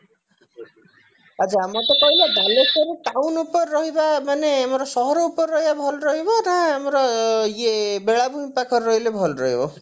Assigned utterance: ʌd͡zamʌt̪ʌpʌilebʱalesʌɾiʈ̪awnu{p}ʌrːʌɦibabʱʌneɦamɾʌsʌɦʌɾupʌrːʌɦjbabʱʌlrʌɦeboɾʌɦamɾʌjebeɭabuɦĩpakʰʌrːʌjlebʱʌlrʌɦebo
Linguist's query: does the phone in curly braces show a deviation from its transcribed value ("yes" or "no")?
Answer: no